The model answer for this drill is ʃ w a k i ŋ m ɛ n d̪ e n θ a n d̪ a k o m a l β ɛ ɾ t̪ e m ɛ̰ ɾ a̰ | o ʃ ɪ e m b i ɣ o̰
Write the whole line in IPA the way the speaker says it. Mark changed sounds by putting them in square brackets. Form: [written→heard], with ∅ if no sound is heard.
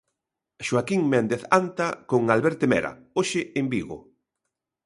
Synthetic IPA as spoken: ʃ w a k i ŋ m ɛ n d̪ e [n→∅] θ a n [d̪→t̪] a k o [m→ŋ] a l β ɛ ɾ t̪ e m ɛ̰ ɾ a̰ | o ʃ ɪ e m b i ɣ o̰